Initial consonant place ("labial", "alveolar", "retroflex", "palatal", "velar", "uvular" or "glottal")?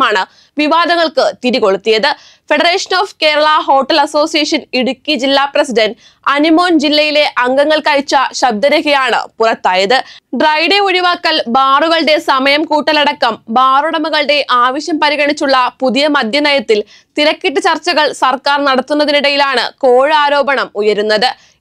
retroflex